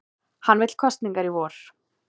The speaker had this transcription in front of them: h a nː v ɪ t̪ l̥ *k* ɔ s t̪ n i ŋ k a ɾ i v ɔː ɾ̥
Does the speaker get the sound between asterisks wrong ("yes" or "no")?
yes